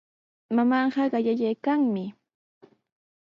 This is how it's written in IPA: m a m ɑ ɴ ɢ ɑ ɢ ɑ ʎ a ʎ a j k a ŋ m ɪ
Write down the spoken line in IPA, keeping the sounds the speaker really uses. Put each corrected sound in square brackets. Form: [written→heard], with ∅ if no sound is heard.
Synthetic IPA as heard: m a m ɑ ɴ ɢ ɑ ɢ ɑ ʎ a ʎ a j k a ŋ m ɪ